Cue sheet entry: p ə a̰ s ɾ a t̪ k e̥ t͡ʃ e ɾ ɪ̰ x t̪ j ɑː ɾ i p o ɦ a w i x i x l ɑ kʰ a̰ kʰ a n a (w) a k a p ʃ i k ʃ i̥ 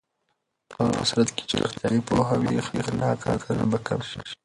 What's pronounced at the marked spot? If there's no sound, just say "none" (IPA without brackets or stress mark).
b